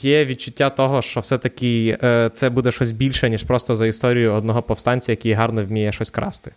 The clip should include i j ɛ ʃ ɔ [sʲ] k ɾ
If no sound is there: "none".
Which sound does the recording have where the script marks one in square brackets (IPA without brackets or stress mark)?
sʲ